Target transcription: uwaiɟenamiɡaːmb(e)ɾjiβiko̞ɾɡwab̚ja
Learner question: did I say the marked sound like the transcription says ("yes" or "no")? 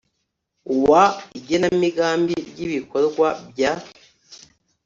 no